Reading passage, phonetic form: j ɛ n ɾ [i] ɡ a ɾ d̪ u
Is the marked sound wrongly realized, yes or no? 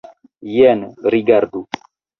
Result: no